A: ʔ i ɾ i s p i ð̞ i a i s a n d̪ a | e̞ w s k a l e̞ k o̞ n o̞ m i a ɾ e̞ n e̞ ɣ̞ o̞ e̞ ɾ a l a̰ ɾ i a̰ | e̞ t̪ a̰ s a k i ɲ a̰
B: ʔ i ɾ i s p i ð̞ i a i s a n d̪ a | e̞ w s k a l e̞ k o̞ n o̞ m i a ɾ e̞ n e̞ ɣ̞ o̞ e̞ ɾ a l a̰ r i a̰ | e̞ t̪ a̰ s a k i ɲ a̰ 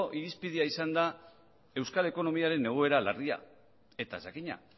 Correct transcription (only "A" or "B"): B